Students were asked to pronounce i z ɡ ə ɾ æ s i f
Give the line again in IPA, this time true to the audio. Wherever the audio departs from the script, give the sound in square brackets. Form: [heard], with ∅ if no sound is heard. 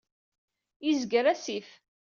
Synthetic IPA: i z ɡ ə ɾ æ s i f